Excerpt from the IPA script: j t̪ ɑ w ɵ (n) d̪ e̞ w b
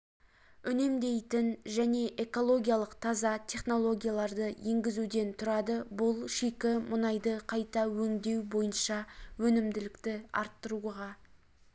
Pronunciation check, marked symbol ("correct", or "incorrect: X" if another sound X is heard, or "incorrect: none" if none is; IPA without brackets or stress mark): incorrect: ŋ